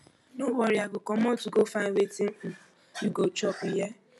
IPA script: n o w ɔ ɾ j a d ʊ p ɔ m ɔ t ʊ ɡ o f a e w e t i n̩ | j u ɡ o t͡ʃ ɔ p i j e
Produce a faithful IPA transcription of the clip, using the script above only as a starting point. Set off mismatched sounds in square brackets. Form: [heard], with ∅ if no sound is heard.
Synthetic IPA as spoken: n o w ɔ ɾ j a [ɡ] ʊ [k] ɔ m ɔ t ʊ ɡ o f a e w e t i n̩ | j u ɡ o t͡ʃ ɔ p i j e